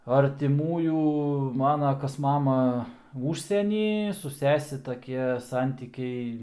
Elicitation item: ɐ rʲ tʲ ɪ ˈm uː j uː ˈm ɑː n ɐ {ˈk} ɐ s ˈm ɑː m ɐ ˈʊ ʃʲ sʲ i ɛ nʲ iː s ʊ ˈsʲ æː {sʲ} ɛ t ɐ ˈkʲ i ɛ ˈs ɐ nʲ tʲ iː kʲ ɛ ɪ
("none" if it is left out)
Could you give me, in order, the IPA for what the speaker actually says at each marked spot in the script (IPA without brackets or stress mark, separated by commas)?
k, sʲ